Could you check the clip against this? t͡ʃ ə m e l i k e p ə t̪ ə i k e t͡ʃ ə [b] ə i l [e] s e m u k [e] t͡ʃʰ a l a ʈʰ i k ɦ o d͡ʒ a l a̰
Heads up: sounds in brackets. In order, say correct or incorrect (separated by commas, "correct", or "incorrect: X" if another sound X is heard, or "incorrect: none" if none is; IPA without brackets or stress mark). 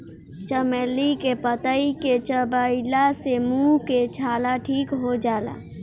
correct, incorrect: a, correct